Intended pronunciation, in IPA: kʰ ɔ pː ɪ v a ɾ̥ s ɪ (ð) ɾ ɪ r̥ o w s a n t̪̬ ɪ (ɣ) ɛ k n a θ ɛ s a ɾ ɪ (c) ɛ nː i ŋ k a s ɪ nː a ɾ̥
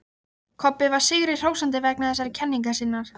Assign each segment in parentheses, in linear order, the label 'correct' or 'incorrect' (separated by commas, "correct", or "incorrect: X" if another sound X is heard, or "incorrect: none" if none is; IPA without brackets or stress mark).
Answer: incorrect: ɣ, incorrect: v, incorrect: cʰ